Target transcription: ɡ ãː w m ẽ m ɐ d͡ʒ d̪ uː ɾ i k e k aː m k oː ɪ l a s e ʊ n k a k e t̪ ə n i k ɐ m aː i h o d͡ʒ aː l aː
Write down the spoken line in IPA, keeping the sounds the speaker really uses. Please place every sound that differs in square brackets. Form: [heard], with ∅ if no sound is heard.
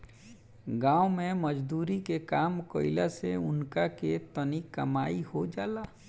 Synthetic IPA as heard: ɡ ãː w m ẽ m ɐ d͡ʒ d̪ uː ɾ i k e k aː m k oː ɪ l a s e ʊ n k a k e t̪ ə n i k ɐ m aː i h o d͡ʒ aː l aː